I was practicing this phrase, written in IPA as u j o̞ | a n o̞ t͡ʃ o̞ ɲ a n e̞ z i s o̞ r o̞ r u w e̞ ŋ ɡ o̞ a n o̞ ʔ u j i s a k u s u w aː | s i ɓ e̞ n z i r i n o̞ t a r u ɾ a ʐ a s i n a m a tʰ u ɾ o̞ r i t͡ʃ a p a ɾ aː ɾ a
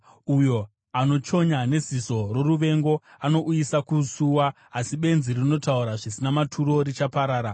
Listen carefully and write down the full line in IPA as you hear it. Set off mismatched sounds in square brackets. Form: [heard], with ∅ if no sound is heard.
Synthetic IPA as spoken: u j o̞ | a n o̞ t͡ʃ o̞ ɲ a n e̞ z i s o̞ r o̞ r u [ʋ] e̞ ŋ ɡ o̞ a n o̞ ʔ u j i s a k u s u w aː | s i ɓ e̞ n z i r i n o̞ t a [∅] u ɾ a ʐ [i] s i n a m a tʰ u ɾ o̞ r i t͡ʃ a p a ɾ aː ɾ a